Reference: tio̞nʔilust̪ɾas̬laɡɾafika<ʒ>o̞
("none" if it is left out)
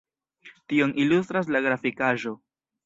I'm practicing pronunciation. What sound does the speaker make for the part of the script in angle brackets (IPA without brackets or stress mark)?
ʒ